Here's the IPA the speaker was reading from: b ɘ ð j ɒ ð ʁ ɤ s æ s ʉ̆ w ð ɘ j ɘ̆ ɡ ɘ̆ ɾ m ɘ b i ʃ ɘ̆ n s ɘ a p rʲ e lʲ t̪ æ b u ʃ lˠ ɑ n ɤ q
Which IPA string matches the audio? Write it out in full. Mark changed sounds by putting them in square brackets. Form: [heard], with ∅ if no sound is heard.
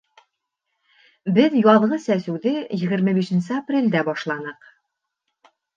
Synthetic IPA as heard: b ɘ ð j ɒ ð ʁ ɤ s æ s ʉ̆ w ð ɘ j ɘ̆ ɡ ɘ̆ ɾ m ɘ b i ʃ ɘ̆ n s ɘ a p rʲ e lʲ [d̪] æ b [ɒ] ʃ lˠ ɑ n ɤ q